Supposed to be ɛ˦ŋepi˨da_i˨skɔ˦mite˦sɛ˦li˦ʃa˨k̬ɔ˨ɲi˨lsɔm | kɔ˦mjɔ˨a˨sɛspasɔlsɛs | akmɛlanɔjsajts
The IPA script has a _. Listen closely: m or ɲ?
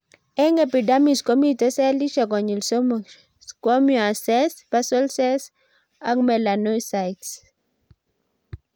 m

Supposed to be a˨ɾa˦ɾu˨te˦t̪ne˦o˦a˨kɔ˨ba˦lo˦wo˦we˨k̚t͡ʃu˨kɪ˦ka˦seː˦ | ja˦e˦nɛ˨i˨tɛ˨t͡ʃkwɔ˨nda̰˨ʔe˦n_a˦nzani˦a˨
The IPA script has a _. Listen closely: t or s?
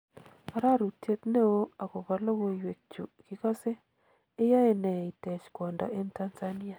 t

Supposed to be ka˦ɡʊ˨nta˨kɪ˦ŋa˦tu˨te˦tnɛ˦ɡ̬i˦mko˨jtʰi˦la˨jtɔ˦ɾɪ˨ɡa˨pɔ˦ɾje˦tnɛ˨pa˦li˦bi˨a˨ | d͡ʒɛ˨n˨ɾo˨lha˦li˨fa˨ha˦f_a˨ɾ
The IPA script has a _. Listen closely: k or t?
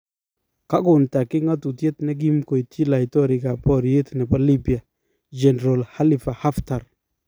t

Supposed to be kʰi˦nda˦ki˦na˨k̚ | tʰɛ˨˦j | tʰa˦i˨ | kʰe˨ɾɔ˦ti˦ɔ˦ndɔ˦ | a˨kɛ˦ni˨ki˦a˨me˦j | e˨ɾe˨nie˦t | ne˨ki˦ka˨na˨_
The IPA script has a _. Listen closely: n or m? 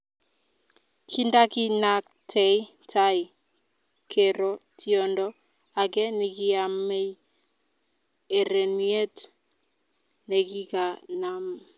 m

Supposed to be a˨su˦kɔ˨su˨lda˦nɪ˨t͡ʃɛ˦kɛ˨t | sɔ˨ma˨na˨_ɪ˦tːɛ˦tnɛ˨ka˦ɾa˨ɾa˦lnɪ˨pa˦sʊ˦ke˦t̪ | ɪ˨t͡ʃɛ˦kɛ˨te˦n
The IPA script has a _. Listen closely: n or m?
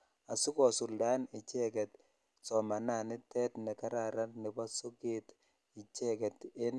n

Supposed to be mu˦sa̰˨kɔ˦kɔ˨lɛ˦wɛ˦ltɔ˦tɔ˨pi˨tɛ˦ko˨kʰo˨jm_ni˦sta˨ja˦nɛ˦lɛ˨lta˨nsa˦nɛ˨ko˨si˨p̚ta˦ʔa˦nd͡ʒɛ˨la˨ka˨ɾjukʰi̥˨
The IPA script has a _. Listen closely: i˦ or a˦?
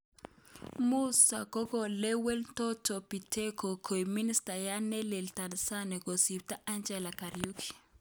i˦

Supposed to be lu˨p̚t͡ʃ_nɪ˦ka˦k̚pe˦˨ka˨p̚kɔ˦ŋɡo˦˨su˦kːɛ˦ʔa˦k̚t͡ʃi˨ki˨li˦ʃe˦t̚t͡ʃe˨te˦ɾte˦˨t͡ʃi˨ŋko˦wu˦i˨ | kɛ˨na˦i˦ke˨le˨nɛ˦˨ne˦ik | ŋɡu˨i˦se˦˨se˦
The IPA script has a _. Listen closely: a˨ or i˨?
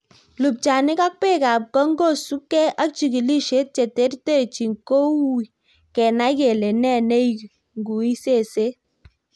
a˨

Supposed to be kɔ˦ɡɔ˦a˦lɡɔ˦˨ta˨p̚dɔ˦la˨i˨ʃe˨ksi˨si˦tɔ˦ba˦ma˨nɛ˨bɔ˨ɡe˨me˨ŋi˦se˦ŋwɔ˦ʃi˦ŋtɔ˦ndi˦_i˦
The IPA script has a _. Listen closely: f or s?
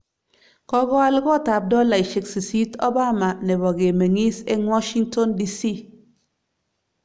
s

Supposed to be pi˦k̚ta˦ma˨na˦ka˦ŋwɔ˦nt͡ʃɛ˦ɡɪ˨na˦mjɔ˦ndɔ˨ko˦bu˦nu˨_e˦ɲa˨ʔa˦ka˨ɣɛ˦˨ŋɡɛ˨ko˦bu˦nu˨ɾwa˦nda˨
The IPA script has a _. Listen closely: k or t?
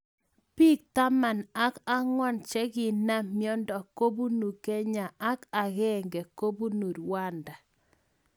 k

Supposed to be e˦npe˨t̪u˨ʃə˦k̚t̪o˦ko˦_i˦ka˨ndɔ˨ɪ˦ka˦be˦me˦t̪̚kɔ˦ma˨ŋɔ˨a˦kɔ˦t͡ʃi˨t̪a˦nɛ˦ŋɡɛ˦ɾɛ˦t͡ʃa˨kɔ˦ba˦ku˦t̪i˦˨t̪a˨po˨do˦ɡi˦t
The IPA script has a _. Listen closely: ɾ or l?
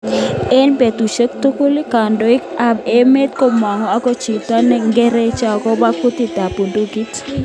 l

